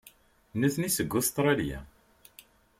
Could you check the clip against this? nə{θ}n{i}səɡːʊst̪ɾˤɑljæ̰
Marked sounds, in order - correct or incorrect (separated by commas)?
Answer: correct, correct